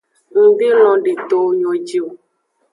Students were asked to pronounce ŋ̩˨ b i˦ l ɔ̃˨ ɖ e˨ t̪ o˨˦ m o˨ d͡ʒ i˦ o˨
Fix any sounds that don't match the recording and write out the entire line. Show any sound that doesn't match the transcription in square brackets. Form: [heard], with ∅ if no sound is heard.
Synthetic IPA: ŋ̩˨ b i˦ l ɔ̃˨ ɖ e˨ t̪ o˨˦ [ɲ] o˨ d͡ʒ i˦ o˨